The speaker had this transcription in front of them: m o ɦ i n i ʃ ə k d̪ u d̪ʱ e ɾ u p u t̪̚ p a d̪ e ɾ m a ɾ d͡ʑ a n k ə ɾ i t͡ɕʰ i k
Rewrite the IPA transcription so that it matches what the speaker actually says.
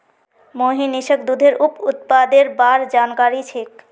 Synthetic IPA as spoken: m o ɦ i n i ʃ ə k d̪ u d̪ʱ e ɾ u p u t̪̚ p a d̪ e ɾ b a ɾ d͡ʑ a n k a ɾ i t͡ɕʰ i k